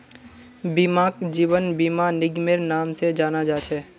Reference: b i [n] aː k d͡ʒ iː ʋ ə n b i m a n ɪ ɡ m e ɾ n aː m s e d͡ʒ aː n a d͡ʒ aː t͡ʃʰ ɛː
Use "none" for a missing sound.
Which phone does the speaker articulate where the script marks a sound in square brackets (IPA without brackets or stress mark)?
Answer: m